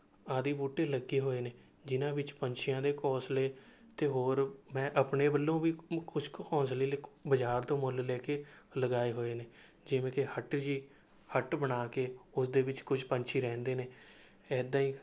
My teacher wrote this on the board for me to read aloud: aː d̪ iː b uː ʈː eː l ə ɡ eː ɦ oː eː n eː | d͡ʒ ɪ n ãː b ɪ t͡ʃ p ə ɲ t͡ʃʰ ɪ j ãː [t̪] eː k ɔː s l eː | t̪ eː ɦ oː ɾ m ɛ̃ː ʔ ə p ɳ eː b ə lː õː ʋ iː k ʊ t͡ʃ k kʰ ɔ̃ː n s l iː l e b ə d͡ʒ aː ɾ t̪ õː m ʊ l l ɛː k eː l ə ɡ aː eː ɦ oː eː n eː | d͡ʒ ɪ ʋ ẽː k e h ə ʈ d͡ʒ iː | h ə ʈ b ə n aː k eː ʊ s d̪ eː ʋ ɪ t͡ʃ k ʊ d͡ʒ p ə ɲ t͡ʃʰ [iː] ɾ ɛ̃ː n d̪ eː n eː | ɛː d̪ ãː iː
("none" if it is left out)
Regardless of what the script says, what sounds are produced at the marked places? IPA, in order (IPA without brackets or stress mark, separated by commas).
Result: d̪, iː